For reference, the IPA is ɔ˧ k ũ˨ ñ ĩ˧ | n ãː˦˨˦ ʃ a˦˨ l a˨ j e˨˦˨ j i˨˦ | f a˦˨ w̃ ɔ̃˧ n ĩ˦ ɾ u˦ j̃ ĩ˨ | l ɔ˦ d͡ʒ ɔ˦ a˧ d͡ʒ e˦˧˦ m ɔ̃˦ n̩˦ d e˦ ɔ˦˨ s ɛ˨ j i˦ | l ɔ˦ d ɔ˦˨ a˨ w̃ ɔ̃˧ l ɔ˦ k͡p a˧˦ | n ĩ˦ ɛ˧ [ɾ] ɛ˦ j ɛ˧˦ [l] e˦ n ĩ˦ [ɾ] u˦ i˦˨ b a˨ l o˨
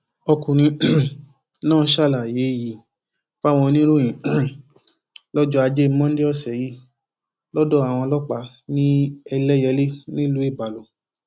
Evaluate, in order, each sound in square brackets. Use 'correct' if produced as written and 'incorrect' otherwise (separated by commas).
incorrect, correct, incorrect